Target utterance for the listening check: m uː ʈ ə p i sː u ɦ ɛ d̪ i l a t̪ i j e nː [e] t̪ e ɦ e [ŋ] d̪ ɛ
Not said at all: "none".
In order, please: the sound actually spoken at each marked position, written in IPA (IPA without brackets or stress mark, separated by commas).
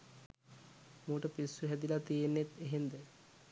e, n